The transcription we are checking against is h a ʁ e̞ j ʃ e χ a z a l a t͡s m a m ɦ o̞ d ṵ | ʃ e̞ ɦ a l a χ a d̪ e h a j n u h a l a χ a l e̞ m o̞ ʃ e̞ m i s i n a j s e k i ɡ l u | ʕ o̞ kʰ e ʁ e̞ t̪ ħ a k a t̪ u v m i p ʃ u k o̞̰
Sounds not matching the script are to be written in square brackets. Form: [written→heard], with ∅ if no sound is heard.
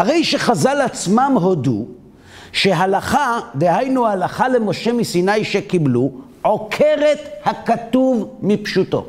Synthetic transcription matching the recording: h a ʁ e̞ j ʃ e χ a z a l a t͡s m a m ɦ o̞ d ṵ | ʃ e̞ ɦ a l a χ a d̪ e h a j n u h a l a χ a l e̞ m o̞ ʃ e̞ m i s i n a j [s→ʃ] e k i [ɡ→b] l u | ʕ o̞ kʰ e ʁ e̞ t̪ [ħ→h] a k a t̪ u v m i p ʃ u [k→t] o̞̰